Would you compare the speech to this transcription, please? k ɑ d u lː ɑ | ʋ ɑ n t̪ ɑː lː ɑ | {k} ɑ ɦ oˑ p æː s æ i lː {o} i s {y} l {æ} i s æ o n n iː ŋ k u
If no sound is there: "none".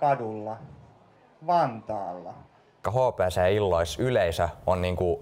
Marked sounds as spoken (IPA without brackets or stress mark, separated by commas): k, o, y, e